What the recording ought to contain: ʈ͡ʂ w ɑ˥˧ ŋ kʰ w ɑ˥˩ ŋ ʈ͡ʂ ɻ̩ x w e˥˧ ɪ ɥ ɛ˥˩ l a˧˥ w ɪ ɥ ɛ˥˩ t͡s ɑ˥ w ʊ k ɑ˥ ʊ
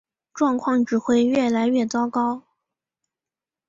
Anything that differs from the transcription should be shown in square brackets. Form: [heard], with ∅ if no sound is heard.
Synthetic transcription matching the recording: ʈ͡ʂ w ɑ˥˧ ŋ kʰ w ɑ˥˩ ŋ ʈ͡ʂ ɻ̩ x w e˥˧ ɪ ɥ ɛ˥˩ l a˧˥ [∅] ɪ ɥ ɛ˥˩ t͡s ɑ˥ [∅] ʊ k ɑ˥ ʊ